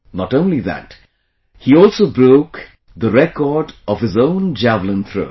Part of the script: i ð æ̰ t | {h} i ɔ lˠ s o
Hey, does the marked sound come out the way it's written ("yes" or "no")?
yes